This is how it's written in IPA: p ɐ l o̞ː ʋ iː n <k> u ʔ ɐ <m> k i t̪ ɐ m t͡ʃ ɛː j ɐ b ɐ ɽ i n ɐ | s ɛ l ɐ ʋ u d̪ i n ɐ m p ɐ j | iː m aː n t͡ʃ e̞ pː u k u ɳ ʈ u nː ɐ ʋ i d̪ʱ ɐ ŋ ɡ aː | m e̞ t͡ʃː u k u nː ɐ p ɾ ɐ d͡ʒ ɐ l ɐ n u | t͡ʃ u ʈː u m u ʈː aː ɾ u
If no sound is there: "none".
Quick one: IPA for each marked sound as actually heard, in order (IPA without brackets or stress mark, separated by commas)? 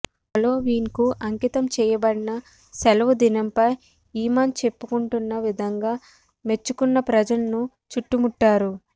k, ŋ